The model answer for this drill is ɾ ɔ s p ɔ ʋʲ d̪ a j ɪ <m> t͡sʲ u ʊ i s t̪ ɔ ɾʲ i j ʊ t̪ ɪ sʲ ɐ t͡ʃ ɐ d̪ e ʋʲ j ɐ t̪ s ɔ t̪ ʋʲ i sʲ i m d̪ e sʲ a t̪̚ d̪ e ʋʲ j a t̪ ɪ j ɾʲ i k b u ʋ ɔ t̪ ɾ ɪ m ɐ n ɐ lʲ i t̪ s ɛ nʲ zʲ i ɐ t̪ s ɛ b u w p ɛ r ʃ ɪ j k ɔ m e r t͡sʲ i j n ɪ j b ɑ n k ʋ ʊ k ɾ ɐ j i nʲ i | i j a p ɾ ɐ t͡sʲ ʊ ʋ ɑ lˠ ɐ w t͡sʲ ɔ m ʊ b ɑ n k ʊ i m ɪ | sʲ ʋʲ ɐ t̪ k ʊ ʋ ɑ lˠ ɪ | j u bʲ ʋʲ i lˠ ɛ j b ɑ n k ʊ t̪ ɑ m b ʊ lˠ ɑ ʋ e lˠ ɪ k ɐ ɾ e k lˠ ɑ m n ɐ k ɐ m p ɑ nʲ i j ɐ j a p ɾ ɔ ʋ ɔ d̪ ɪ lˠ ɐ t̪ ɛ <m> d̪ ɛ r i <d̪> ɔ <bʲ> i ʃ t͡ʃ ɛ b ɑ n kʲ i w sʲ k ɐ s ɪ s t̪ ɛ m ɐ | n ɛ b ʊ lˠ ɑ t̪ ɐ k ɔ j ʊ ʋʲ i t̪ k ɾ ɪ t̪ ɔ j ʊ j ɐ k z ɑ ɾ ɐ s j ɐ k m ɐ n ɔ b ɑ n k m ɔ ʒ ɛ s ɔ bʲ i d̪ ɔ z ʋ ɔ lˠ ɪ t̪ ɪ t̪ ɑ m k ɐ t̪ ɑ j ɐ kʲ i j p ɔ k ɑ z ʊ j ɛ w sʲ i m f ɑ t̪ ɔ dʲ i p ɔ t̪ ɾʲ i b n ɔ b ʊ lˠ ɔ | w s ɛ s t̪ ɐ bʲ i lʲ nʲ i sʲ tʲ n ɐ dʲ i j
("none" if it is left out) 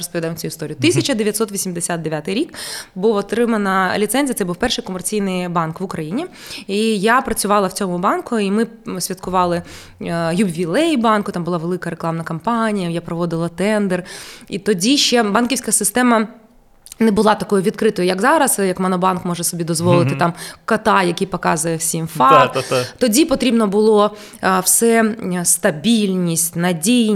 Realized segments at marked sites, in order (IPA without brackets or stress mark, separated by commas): m, n, t̪, dʲ